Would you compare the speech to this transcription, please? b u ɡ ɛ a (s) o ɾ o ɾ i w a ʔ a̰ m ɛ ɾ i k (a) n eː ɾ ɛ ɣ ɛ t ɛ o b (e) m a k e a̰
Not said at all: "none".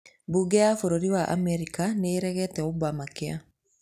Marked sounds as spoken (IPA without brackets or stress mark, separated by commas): f, a, a